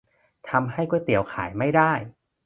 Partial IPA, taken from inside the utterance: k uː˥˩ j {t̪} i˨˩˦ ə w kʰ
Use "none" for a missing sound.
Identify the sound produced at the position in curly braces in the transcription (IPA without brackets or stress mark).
t̪